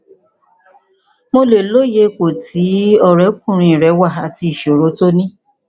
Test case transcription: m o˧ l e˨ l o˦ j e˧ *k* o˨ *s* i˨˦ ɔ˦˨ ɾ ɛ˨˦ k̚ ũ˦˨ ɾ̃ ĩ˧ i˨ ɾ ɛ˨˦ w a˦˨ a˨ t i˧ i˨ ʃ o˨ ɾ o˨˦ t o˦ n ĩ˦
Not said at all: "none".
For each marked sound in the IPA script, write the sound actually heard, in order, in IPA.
k, t

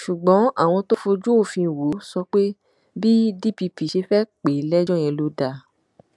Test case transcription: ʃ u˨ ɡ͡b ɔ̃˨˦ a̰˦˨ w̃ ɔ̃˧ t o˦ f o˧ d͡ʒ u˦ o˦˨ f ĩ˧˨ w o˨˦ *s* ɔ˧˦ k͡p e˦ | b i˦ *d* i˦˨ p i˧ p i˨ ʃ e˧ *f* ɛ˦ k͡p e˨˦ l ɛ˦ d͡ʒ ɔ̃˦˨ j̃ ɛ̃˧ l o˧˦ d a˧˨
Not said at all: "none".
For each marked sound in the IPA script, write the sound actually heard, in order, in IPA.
s, d, f

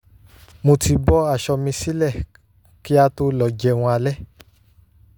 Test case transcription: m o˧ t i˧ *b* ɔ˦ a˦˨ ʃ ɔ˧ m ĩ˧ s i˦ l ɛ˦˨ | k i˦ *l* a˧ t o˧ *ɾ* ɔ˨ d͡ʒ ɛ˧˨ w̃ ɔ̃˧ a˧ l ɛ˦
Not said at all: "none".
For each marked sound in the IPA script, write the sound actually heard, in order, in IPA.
b, none, l

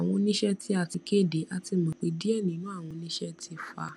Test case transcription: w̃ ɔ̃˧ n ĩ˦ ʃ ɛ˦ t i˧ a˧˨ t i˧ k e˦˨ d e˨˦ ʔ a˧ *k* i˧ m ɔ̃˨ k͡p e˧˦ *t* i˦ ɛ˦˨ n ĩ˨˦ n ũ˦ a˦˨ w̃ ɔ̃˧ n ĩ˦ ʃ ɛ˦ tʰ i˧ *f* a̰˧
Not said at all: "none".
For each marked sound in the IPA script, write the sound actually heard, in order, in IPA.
t, d, f

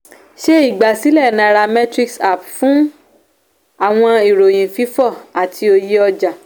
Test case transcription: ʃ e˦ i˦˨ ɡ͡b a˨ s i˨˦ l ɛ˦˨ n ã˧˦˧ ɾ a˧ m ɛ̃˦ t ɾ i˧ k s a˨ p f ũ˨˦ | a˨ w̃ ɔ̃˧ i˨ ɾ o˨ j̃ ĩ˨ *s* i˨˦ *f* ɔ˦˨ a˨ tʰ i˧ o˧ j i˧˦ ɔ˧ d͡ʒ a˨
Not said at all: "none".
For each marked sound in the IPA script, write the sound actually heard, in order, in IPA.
f, f

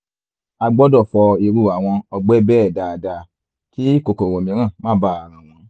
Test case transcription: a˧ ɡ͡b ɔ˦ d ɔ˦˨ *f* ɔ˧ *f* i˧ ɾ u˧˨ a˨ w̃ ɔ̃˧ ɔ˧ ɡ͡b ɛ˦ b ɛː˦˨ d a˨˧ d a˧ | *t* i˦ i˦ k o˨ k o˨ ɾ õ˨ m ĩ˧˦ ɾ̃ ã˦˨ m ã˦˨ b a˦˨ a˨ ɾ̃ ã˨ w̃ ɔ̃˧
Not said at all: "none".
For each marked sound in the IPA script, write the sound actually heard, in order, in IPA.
f, none, k

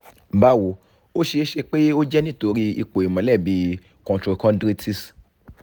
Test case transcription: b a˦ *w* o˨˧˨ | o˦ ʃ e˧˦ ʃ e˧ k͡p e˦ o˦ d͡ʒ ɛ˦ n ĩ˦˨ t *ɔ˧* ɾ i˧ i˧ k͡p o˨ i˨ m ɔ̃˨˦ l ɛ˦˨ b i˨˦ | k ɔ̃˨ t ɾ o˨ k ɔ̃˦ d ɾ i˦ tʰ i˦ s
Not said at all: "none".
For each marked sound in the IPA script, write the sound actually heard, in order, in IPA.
w, o˧

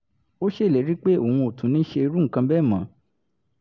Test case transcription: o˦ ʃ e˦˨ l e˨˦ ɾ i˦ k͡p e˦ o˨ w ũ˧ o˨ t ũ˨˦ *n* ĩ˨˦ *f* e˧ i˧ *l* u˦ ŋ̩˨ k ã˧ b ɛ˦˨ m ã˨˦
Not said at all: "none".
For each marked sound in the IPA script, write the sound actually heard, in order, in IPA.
n, ʃ, ɾ

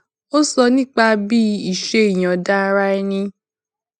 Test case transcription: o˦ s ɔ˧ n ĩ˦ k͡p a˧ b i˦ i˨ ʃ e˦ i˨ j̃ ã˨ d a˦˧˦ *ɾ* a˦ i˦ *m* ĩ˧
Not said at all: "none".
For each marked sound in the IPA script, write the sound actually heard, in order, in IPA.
ɾ, n

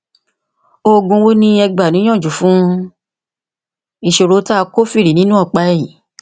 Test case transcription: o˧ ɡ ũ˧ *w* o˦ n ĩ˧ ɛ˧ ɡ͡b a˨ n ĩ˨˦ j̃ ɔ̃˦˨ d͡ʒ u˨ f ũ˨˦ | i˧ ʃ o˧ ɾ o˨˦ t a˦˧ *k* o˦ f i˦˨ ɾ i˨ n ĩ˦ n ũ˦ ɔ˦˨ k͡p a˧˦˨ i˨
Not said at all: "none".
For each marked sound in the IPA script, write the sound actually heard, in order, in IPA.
w, k

